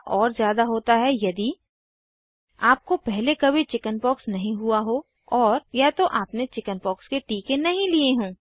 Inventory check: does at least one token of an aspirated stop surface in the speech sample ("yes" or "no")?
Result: no